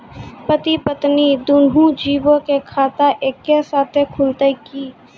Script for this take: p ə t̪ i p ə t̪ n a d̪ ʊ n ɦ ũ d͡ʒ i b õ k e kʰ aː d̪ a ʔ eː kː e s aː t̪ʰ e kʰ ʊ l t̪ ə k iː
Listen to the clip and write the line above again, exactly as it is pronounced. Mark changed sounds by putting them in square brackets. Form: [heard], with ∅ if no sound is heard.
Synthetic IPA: p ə t̪ i p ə t̪ n [i] d̪ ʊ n ɦ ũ d͡ʒ [iː] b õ k e kʰ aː [t̪] a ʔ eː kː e s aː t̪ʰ e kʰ ʊ l t̪ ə k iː